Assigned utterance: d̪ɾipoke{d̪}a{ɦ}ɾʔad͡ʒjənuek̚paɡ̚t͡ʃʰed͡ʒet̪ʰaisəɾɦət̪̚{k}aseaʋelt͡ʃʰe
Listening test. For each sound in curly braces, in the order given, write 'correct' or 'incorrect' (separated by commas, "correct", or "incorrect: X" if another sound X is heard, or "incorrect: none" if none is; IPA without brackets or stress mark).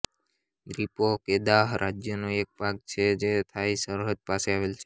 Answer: correct, correct, incorrect: p